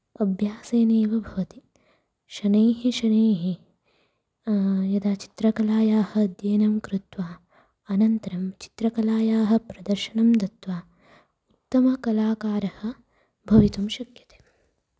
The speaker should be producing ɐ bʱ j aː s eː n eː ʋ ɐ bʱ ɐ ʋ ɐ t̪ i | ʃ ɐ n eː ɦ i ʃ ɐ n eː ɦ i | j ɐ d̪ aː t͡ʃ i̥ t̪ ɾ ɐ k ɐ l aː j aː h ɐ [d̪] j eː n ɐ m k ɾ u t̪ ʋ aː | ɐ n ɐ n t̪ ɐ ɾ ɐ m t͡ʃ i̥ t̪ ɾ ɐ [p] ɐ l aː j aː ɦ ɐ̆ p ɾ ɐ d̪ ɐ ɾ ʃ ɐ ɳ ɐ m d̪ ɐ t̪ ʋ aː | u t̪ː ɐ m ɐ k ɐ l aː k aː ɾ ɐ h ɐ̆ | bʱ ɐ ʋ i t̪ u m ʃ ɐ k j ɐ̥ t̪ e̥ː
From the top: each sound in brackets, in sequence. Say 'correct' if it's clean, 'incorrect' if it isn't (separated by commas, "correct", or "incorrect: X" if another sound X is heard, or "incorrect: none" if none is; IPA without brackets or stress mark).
correct, incorrect: k